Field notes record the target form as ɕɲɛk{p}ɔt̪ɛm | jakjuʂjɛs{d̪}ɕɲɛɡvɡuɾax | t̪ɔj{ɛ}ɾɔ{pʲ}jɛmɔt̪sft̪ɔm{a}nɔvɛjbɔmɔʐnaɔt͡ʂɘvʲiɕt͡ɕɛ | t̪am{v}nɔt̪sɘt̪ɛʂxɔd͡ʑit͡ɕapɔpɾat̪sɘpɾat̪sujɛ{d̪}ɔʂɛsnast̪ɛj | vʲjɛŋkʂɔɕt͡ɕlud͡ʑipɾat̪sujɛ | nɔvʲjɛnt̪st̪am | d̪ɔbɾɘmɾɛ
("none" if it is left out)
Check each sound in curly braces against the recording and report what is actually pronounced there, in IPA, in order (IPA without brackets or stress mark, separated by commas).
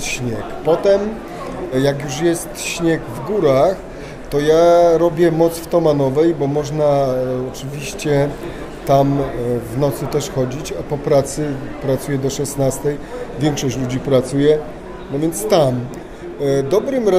p, t̪, a, bʲ, a, v, d̪